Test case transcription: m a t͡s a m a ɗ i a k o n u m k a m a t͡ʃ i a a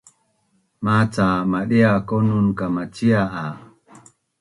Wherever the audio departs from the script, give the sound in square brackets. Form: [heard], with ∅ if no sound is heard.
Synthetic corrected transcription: m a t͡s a m a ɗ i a k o n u [n] k a m a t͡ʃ i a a